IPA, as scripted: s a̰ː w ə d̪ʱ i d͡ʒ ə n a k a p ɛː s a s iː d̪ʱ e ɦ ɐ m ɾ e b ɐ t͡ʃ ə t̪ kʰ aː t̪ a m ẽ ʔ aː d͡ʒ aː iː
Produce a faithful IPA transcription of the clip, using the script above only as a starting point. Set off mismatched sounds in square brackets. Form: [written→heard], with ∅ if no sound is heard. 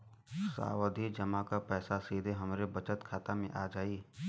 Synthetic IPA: s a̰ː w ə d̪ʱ i d͡ʒ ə [n→m] a k a p ɛː s a s iː d̪ʱ e ɦ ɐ m ɾ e b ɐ t͡ʃ ə t̪ kʰ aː t̪ a m ẽ ʔ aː d͡ʒ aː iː